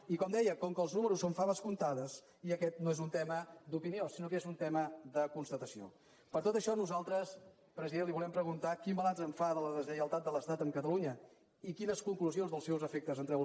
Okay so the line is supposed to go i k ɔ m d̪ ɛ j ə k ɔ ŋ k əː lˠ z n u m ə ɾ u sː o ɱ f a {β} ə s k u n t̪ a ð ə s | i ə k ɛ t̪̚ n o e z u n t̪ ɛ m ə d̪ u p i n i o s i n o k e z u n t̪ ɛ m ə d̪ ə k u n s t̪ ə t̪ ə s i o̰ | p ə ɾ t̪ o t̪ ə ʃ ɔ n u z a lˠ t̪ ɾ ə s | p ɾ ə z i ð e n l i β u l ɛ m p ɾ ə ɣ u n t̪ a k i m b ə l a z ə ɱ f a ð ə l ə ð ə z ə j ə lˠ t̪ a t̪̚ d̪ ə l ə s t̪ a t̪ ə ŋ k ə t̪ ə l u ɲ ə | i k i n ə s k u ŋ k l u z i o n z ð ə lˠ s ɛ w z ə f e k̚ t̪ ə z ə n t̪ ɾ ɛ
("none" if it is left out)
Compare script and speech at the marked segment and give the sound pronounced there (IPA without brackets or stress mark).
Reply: β